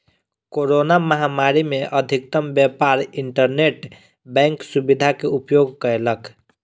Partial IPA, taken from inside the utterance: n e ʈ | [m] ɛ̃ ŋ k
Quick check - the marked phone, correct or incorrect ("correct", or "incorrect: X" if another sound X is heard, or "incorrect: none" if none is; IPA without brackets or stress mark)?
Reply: incorrect: b